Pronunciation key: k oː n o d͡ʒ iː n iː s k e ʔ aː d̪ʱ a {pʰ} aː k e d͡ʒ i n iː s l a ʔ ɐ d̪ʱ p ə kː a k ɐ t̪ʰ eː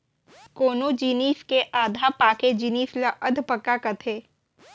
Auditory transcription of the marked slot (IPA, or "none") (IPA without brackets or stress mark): p